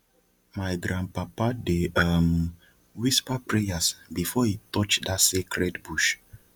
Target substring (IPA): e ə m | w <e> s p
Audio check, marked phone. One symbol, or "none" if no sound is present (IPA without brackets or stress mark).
i